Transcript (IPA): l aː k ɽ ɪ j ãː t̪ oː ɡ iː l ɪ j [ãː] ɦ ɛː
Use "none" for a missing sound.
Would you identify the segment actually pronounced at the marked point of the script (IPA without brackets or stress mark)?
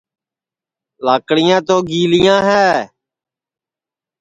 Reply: ãː